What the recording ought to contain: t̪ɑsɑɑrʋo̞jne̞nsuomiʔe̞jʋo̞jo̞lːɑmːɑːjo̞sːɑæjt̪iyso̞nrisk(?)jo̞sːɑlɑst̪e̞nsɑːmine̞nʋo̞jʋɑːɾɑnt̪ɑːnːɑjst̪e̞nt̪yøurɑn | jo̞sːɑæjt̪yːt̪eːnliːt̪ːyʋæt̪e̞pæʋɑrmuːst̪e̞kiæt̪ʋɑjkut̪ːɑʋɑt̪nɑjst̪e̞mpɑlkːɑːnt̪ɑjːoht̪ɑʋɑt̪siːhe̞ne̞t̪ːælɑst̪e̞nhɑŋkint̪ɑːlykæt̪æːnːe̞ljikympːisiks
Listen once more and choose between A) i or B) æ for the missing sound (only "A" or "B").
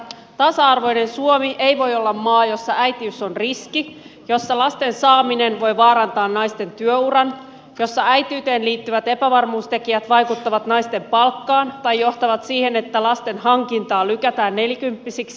A